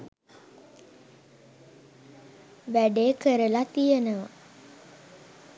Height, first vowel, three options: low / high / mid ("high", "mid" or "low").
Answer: low